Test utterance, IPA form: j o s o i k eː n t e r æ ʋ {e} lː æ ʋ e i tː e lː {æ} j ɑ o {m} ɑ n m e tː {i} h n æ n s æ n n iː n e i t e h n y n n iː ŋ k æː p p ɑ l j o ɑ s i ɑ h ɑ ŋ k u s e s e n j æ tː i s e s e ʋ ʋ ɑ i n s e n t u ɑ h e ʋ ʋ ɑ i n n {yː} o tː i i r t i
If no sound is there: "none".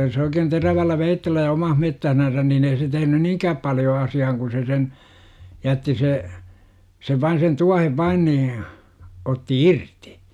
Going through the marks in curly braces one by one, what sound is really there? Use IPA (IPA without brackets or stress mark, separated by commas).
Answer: æ, æ, m, æ, iː